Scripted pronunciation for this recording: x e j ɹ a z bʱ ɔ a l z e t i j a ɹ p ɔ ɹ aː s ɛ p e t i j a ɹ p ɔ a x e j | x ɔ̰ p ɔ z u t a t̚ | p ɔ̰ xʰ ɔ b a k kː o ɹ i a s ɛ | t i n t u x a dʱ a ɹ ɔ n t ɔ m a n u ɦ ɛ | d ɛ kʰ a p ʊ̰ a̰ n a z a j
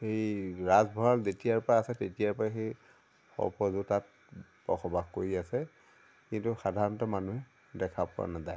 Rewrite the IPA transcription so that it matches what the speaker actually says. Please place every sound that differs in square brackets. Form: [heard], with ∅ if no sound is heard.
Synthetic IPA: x e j ɹ a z bʱ ɔ a l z e t i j a ɹ p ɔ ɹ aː s ɛ [t] e t i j a ɹ p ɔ a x e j | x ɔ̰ p ɔ z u t a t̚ | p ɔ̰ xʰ ɔ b a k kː o ɹ i a s ɛ | [k] i n t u x a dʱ a ɹ ɔ n t ɔ m a n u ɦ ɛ | d ɛ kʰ a p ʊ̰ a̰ n a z a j